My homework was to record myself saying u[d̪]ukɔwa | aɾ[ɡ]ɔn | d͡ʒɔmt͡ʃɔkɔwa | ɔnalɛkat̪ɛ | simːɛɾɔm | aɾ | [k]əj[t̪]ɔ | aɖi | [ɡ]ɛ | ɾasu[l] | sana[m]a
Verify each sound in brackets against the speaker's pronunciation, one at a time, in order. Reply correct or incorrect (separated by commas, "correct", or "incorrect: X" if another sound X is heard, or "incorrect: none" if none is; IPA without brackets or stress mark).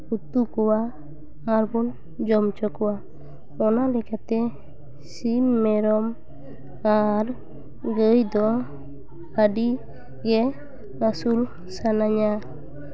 incorrect: t̪, incorrect: b, incorrect: ɡ, incorrect: d̪, correct, correct, incorrect: ɲ